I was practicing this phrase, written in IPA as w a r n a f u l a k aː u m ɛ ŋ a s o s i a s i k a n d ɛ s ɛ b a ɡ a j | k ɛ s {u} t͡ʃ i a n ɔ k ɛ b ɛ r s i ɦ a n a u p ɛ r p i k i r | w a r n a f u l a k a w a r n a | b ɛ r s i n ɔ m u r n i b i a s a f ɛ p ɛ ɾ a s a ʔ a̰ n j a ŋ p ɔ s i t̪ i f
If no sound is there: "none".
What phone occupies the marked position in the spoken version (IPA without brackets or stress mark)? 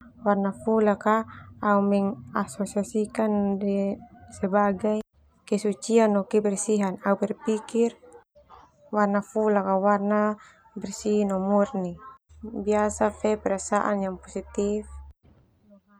u